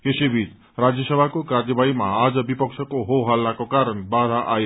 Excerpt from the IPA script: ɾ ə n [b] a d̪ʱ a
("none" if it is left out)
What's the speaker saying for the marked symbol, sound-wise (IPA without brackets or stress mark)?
b